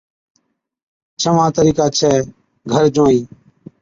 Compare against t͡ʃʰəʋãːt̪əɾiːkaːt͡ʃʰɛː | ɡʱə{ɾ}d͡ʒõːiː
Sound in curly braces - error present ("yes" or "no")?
no